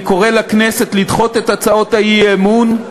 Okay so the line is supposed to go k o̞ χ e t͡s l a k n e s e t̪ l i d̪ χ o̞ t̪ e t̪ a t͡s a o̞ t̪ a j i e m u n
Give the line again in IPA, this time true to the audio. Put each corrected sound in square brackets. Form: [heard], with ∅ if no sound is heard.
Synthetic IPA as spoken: k o̞ [ʁ] e [∅] l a k n e s e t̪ l i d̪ χ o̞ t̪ e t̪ a t͡s a o̞ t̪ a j i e m u n

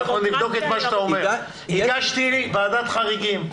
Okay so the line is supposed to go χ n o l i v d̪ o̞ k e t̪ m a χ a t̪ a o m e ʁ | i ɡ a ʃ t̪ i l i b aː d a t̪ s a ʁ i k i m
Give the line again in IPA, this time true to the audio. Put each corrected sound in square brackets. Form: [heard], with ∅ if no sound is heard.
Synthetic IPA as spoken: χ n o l i v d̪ o̞ k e t̪ m a [ʃ] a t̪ a o m e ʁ | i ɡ a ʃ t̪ i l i b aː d a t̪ [χ] a ʁ i [ɡ] i m

